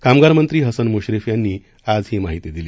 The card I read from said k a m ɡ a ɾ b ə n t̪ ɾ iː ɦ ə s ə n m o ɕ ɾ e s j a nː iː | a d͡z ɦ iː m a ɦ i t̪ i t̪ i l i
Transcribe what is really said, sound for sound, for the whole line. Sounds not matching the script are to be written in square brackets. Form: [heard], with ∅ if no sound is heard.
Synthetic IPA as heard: k a m ɡ a ɾ [m] ə n t̪ ɾ iː ɦ ə s ə n m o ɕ ɾ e [f] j a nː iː | a d͡z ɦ iː m a ɦ i t̪ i [d̪] i l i